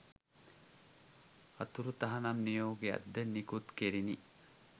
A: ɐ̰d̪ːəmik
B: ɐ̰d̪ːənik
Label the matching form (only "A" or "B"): B